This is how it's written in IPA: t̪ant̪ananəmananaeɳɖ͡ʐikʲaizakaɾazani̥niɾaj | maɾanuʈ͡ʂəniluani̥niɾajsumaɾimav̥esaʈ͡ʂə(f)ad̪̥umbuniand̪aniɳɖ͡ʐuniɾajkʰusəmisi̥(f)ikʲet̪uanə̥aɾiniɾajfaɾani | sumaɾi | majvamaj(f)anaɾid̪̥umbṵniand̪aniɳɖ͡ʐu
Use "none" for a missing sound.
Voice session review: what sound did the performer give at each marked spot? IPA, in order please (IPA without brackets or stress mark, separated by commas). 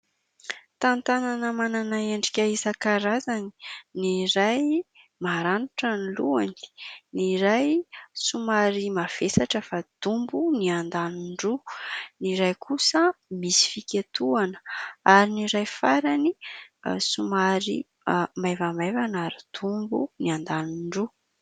f, f, v